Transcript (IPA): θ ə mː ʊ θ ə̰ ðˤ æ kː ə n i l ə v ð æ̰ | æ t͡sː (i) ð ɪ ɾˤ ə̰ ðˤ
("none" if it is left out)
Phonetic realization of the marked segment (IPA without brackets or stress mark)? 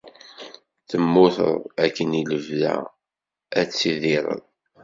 i